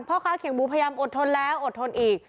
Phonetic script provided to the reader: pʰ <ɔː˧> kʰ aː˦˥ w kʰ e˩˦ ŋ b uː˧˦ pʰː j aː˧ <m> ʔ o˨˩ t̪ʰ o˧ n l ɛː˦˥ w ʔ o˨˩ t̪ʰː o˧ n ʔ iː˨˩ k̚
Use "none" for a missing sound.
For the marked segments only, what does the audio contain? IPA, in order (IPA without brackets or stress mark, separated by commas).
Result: ɔː˥˩, m